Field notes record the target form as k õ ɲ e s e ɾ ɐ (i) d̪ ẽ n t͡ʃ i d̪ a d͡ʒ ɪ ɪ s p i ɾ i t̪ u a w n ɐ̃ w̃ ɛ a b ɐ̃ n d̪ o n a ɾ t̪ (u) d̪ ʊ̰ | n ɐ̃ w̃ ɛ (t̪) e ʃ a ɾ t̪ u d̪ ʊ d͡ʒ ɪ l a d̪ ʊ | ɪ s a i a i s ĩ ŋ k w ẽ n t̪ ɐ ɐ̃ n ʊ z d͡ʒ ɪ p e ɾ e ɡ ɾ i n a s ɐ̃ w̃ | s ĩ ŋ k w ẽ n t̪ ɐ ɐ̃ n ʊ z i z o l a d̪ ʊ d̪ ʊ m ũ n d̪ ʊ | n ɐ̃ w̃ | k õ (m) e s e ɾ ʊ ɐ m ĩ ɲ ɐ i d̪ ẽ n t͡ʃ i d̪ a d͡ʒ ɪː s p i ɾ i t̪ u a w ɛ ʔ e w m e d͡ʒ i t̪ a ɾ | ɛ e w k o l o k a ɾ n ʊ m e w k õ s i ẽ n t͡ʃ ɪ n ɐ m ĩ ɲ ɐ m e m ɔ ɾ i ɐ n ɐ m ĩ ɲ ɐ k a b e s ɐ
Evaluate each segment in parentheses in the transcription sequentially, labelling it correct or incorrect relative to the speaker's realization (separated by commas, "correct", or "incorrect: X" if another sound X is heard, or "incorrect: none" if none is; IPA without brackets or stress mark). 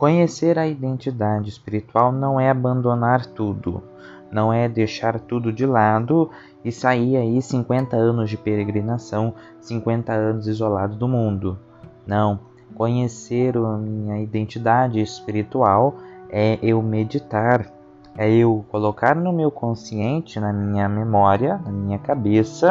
correct, correct, incorrect: d̪, incorrect: ɲ